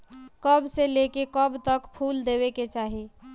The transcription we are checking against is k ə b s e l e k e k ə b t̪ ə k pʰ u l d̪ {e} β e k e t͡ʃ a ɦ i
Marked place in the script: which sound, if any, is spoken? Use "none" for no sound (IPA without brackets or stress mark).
e